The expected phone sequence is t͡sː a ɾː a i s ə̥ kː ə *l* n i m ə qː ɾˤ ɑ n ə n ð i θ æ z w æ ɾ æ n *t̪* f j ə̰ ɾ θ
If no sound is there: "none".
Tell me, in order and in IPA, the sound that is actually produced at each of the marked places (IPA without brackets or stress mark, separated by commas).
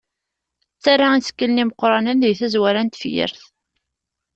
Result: l, t̪